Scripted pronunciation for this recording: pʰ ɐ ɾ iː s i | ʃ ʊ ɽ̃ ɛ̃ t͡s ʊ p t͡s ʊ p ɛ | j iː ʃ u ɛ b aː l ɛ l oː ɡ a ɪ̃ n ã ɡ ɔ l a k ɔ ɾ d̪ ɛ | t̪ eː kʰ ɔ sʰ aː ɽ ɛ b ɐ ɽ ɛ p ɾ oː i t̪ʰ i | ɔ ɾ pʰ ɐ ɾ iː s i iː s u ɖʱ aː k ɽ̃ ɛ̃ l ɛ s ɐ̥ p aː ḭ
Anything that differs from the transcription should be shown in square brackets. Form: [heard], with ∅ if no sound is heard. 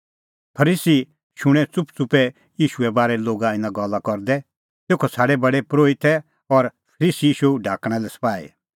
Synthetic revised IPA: pʰ ɐ ɾ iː s i | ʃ ʊ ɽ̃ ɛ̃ t͡s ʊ p t͡s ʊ p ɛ | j iː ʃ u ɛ b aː [ɾ] ɛ l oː ɡ a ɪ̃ n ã ɡ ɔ l a k ɔ ɾ d̪ ɛ | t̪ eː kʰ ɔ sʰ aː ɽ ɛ b ɐ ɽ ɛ p ɾ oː i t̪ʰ [ɛ] | ɔ ɾ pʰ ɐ ɾ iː s i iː [ʃ] u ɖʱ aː k ɽ̃ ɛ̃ l ɛ s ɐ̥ p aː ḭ